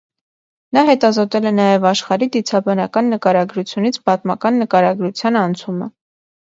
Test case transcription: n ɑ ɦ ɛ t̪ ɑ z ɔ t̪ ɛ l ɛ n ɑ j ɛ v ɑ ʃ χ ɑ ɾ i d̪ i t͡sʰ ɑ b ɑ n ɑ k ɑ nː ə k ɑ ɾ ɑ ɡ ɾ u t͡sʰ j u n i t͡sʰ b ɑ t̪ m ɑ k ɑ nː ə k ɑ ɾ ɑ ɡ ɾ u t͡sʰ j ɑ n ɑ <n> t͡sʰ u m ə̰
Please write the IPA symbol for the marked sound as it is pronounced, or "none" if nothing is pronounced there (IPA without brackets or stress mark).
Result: n